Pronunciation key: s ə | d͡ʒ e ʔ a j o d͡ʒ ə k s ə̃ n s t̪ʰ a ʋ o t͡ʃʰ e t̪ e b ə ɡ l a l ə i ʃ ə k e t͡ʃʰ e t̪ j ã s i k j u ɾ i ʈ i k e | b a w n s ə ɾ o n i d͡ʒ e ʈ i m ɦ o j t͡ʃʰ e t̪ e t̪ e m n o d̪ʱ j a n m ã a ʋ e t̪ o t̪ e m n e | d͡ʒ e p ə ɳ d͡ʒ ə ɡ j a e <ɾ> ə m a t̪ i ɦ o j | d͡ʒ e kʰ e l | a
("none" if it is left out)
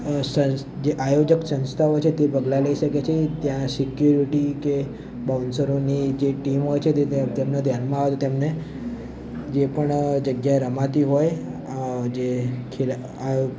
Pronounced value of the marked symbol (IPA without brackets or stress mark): ɾ